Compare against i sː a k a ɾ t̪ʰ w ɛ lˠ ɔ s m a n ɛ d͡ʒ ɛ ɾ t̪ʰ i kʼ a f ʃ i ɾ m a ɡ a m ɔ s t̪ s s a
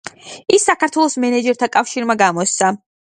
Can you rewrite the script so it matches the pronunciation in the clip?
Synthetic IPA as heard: i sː a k a ɾ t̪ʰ w ɛ lˠ ɔ s m ɛ n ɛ d͡ʒ ɛ ɾ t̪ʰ a kʼ a f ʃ i ɾ m a ɡ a m ɔ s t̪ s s a